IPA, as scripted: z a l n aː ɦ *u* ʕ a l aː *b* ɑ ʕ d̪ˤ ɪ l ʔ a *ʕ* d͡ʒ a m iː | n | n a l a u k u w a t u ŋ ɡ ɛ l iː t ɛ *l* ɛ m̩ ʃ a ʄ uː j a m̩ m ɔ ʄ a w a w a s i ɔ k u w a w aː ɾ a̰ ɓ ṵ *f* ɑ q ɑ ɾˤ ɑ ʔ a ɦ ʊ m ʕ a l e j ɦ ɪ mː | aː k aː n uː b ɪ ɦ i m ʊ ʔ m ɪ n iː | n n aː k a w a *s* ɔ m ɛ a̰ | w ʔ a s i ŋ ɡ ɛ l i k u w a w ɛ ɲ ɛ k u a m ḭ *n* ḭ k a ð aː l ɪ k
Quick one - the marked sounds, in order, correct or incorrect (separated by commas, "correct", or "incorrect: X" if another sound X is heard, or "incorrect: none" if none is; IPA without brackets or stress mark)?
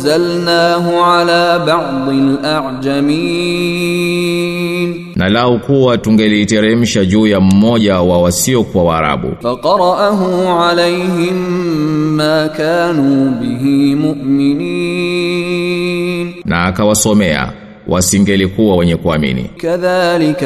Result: incorrect: ʊ, correct, correct, incorrect: ɾ, correct, correct, correct